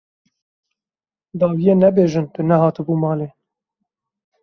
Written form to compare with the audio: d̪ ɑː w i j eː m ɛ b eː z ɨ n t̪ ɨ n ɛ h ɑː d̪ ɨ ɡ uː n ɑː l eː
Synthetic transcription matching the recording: d̪ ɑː w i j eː n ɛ b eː ʒ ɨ n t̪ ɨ n ɛ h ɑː t̪ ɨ b uː m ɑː l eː